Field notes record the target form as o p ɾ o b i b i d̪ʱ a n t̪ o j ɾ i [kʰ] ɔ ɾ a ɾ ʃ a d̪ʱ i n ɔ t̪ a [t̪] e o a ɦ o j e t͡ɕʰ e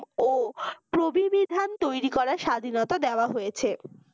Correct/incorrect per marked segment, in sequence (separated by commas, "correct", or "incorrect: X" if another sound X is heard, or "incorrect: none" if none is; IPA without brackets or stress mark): incorrect: k, incorrect: d̪